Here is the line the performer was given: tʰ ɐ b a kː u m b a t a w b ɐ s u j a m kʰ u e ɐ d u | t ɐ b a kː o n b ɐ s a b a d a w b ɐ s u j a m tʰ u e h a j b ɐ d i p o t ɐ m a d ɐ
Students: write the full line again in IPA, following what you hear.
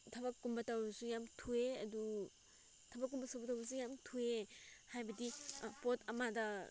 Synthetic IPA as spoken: tʰ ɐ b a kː u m b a t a w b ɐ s u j a m tʰ u e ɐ d u | tʰ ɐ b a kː u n b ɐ s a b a t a w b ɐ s u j a m tʰ u e h a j b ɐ d i p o t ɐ m a d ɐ